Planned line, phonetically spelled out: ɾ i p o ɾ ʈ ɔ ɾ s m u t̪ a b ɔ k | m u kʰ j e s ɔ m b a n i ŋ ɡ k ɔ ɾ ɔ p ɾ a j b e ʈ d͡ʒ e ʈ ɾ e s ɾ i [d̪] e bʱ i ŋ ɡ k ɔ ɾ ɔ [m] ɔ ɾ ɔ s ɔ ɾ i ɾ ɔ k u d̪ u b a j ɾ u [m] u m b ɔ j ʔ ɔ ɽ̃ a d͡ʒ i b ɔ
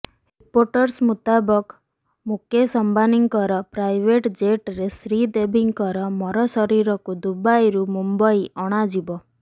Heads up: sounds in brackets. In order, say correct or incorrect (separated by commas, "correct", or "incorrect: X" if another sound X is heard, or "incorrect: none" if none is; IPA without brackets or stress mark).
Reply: correct, correct, correct